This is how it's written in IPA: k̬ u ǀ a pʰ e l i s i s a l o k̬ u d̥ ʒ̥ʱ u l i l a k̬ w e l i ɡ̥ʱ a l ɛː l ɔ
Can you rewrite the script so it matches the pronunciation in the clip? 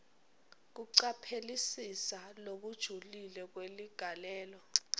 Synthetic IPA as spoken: k̬ u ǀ a pʰ e l i s i s a l o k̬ u d̥ ʒ̥ʱ u l i l ɛ k̬ w e l i ɡ̥ʱ a l ɛː l ɔ

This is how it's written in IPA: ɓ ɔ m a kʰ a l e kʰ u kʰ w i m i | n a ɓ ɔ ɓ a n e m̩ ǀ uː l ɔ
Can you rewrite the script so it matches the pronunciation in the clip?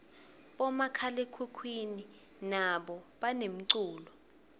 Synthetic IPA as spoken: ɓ ɔ m a kʰ a l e kʰ u kʰ w i n i | n a ɓ ɔ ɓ a n e m̩ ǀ uː l ɔ

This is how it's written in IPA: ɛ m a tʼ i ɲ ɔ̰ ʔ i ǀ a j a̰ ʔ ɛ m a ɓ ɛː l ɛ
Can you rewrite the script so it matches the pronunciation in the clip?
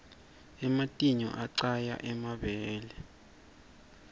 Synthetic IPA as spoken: ɛ m a tʼ i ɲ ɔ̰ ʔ a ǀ a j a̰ ʔ ɛ m a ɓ ɛː l ɛ

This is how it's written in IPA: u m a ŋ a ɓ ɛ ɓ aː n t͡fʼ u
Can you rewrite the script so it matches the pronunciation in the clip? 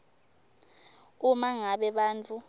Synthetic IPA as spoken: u m a ŋ a ɓ ɛ ɓ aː n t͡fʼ u

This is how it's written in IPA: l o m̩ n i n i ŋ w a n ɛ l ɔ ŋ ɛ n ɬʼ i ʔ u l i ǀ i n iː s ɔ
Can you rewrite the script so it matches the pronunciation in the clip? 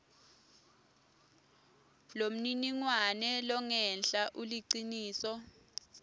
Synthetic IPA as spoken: l o m̩ n i n i ŋ w a n ɛ l ɔ ŋ ɛ n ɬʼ a ʔ u l i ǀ i n iː s ɔ

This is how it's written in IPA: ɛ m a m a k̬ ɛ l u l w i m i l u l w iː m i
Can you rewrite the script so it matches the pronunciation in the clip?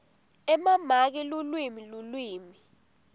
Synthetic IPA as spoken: ɛ m a m a k̬ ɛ l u l w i m i l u l w iː m i

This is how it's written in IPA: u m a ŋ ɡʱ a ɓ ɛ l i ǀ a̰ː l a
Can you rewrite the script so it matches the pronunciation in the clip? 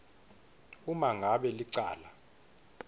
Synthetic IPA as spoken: u m a ŋ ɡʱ a ɓ ɛ l i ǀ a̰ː l a

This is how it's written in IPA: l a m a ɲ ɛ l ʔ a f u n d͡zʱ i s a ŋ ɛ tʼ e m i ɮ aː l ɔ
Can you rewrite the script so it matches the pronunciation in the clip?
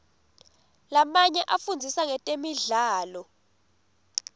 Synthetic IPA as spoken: l a m a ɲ ɛ ʔ a f u n d͡zʱ i s a ŋ ɛ tʼ e m i ɮ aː l ɔ

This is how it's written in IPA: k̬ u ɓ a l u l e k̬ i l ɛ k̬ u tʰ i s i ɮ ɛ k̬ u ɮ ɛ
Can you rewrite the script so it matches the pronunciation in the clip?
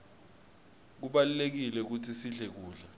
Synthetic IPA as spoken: k̬ u ɓ a l u l e k̬ i l ɛ k̬ u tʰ i s i ɮ ɛ k̬ uː ɮ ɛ

